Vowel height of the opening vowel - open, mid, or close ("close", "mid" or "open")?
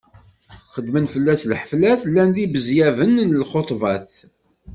mid